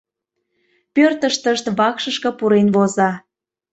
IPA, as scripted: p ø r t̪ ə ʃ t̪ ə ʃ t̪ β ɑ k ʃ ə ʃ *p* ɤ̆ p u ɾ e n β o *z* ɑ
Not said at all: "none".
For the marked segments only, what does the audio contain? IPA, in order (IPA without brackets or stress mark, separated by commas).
k, z